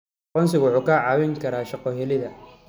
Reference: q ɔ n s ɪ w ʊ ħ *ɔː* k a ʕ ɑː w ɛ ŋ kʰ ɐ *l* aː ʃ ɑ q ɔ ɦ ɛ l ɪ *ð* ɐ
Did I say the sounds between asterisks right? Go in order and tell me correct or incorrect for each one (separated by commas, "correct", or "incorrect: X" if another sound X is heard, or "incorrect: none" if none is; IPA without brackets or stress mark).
incorrect: uː, incorrect: ɾ, correct